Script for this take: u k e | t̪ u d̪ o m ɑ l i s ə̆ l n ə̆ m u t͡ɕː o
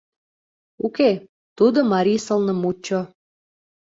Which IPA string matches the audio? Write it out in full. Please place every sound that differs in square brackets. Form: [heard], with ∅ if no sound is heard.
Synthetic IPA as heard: u k e | t̪ u d̪ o m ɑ [ɾ] i s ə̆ l n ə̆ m u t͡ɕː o